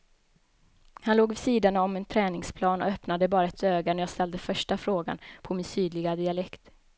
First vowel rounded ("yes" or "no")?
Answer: no